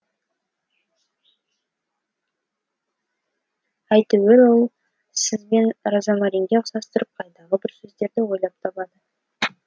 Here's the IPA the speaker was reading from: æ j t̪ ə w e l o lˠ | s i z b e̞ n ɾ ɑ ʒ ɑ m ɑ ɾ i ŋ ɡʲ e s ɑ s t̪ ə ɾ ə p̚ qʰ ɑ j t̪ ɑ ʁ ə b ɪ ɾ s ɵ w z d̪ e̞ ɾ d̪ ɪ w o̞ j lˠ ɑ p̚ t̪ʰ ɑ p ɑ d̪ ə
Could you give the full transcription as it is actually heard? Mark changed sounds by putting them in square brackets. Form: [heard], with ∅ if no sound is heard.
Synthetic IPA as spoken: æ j t̪ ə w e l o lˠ | s [ɪ] z b e̞ n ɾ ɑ [z] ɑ m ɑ ɾ i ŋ ɡʲ e s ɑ s t̪ ə ɾ ə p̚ qʰ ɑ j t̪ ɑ ʁ ə b ɪ ɾ s ɵ [∅] z d̪ e̞ ɾ d̪ ɪ w o̞ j lˠ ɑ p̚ t̪ʰ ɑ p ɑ d̪ ə